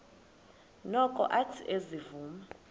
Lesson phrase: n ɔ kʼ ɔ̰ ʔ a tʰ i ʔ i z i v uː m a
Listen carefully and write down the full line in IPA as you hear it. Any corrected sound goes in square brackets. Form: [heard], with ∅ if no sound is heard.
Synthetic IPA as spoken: n ɔ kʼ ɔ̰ ʔ a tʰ i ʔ [e] z i v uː m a